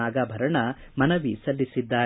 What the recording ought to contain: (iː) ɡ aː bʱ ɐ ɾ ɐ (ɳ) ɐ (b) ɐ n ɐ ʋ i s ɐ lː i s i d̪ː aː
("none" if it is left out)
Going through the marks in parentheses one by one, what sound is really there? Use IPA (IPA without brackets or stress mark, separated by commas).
aː, ɳ, m